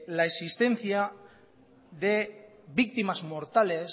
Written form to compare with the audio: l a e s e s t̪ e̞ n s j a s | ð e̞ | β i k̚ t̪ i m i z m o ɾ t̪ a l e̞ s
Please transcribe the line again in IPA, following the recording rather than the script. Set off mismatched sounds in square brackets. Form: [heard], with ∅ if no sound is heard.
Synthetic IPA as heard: l a e s [i] s t̪ e̞ n [θ] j a [∅] | ð e̞ | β i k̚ t̪ i m [a] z m o ɾ t̪ a l e̞ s